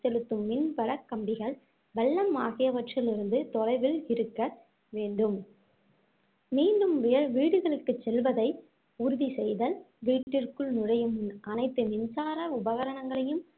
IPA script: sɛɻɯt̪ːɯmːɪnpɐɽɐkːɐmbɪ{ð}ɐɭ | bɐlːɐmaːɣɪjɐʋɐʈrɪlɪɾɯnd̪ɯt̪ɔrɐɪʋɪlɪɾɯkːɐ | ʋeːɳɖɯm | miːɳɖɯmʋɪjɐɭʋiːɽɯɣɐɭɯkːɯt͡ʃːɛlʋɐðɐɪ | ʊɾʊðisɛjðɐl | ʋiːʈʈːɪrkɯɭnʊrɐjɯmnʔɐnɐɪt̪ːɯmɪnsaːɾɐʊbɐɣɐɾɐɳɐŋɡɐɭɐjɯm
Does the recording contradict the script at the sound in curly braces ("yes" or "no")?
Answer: yes